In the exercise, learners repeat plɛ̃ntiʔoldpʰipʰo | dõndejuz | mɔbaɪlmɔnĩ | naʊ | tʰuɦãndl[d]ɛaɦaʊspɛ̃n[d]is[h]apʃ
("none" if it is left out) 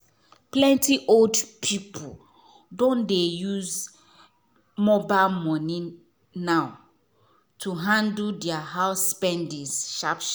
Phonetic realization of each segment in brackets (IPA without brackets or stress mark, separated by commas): d, d, ʃ